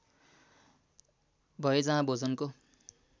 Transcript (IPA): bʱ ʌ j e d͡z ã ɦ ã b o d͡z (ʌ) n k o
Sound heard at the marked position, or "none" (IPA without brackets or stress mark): ʌ